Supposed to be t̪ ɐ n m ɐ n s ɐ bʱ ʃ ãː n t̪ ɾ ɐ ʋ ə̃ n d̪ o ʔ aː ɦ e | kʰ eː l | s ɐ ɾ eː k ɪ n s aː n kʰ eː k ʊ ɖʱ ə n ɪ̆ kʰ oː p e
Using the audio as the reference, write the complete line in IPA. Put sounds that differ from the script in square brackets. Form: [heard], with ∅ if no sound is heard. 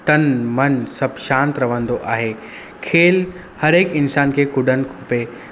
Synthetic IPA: t̪ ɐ n m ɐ n s ɐ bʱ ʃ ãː n t̪ ɾ ɐ ʋ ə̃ n d̪ o ʔ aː ɦ e | kʰ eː l | [h] ɐ ɾ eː k ɪ n s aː n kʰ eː k ʊ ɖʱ ə n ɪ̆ kʰ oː p e